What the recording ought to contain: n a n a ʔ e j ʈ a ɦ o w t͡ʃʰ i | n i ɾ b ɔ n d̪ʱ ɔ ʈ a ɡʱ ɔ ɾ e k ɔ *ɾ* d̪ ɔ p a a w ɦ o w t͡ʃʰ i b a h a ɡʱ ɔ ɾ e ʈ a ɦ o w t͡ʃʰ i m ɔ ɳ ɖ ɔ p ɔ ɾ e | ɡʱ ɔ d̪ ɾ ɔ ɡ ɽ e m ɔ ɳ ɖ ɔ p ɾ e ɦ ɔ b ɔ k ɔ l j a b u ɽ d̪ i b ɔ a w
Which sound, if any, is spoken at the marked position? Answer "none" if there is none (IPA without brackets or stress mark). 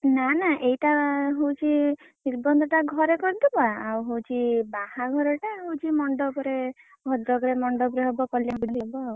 ɾ